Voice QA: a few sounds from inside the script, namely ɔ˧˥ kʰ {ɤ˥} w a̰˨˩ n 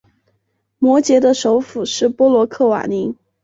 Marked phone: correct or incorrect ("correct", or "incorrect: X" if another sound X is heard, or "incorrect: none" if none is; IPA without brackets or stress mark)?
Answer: incorrect: ɤ˥˩